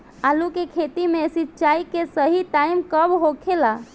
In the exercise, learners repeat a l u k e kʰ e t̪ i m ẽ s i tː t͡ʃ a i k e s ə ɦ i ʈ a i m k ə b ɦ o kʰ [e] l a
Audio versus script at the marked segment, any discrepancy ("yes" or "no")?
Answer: no